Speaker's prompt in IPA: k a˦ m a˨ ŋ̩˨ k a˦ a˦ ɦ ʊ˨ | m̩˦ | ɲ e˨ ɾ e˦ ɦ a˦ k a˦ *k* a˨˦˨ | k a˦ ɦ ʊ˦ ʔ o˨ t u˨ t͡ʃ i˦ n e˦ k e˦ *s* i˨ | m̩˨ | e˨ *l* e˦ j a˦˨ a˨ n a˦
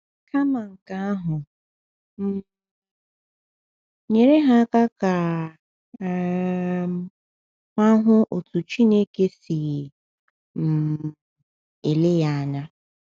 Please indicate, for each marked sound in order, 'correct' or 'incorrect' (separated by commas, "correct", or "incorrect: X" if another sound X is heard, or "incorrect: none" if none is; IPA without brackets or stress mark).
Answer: correct, correct, correct